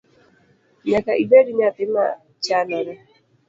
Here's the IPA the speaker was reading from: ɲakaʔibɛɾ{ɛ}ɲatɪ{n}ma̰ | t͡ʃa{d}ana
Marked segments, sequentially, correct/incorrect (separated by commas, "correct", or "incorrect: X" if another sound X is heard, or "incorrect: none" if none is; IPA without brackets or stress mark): incorrect: i, incorrect: none, incorrect: n